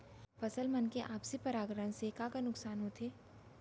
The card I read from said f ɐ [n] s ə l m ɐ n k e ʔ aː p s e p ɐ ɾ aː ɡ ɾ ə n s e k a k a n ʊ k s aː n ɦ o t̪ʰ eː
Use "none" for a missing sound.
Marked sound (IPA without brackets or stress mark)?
none